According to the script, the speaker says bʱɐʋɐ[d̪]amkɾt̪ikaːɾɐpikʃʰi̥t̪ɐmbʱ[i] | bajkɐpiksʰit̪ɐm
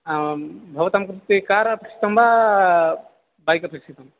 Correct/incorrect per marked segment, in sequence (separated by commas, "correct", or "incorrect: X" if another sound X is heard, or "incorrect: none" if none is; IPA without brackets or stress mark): incorrect: t̪, incorrect: a